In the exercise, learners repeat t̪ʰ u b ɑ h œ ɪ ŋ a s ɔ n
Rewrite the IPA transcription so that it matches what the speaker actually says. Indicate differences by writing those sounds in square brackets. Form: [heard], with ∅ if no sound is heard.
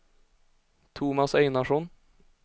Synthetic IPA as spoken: t̪ʰ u [m] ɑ [s] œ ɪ [n] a [ʂ] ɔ n